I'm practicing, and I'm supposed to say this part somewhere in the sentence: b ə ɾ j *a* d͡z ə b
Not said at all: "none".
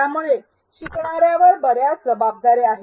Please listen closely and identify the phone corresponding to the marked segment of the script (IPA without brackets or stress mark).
a